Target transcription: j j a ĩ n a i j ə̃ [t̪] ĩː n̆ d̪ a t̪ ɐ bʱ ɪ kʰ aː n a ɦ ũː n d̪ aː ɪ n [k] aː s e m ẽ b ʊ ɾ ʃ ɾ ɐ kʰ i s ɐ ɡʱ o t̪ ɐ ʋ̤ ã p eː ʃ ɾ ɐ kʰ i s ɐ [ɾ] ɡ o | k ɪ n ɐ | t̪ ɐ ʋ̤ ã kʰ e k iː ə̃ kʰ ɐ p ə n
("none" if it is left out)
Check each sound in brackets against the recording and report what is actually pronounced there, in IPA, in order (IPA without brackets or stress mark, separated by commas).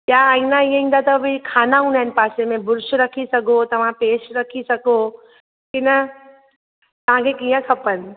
none, p, none